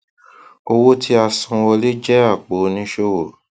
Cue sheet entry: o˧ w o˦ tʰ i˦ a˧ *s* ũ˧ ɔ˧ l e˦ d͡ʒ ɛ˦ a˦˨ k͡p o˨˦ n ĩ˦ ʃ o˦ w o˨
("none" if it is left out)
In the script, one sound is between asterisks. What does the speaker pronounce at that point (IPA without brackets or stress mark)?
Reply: s